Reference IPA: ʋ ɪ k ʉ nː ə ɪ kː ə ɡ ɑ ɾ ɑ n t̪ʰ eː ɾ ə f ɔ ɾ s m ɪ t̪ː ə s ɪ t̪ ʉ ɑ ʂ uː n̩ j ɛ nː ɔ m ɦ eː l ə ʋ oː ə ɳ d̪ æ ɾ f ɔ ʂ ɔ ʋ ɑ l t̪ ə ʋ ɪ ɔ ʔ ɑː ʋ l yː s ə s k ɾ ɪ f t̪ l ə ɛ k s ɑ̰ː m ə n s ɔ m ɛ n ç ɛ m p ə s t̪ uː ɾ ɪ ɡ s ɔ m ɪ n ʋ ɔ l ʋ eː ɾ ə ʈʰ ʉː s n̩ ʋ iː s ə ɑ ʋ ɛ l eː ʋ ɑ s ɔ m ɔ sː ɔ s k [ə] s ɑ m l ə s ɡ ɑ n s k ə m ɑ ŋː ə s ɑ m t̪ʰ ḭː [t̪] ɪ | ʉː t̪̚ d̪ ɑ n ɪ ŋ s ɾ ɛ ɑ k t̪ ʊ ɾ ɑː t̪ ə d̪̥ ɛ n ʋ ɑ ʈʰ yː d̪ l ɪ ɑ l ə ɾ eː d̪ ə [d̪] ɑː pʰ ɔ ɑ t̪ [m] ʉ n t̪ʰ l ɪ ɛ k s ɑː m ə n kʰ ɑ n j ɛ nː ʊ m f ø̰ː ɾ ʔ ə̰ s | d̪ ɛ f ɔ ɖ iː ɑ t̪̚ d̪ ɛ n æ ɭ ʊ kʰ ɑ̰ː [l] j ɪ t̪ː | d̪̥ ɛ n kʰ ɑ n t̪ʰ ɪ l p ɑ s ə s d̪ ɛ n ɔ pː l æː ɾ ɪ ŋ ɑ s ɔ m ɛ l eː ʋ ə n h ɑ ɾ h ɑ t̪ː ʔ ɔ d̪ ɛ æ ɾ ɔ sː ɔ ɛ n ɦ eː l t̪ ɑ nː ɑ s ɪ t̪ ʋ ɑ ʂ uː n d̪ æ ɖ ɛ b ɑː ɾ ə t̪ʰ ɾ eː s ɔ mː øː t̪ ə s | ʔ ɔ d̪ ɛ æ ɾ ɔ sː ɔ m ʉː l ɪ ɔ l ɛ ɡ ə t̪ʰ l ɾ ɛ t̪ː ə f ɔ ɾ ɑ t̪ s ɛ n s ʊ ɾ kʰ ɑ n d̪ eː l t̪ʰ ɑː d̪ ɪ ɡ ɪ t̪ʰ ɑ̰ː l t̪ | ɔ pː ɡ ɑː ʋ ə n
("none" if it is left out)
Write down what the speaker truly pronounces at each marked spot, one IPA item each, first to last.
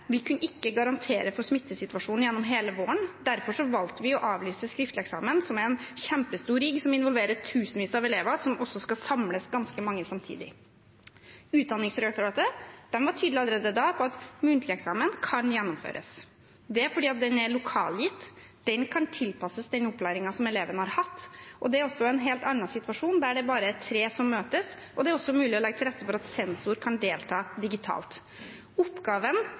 ɑ, d̪, d̪, m, l

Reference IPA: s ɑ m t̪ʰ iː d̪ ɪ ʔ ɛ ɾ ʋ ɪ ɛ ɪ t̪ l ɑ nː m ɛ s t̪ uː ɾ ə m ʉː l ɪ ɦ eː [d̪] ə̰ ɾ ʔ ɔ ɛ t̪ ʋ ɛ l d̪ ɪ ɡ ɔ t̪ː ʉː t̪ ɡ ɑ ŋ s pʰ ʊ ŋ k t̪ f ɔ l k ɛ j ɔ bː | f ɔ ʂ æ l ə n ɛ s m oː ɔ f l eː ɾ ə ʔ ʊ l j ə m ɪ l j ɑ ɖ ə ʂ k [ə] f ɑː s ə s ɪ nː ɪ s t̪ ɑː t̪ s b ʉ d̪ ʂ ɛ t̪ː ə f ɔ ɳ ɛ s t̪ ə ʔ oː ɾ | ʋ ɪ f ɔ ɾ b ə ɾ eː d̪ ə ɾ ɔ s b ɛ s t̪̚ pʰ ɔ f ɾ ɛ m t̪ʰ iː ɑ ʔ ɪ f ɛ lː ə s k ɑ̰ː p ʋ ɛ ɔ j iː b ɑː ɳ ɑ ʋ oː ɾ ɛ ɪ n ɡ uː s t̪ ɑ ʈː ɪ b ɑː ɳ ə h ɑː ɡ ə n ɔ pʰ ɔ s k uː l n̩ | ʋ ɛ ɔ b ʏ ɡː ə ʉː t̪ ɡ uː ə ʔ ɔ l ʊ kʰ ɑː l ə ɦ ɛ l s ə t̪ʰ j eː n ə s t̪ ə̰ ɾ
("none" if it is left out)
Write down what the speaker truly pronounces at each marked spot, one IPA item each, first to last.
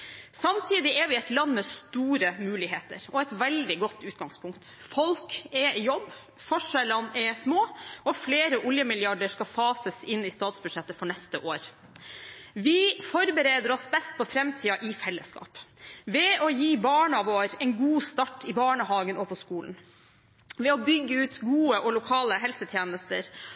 t̪, ɑ

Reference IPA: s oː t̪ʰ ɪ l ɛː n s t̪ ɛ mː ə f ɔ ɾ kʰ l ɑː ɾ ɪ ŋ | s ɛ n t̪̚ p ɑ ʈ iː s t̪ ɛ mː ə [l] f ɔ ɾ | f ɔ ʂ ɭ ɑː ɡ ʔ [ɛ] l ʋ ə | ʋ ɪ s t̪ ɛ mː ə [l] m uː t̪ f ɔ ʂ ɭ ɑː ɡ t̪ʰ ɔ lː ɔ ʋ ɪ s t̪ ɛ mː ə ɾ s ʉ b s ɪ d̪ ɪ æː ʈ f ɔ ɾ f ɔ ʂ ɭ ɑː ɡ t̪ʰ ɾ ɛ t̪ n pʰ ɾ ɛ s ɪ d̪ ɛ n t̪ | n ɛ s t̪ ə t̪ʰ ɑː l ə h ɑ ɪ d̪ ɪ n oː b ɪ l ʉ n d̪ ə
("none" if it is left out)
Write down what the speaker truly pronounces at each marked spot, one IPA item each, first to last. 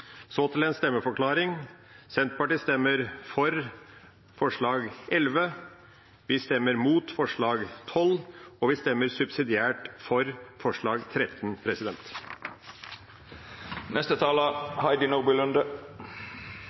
ɾ, ɛ, ɾ

